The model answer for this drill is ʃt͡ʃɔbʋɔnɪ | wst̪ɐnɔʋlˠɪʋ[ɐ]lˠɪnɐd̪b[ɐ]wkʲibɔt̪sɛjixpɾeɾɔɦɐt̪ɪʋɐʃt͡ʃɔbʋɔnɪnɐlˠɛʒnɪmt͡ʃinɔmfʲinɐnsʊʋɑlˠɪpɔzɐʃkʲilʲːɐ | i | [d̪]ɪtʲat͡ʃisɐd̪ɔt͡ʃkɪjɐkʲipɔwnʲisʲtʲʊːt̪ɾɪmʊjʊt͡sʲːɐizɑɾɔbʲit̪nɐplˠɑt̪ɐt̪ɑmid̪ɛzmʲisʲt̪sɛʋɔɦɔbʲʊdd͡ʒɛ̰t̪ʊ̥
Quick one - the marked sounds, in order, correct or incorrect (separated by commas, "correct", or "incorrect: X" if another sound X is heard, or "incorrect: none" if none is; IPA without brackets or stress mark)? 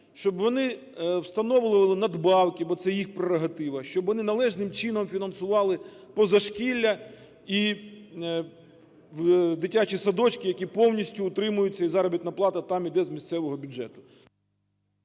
correct, incorrect: ɑ, correct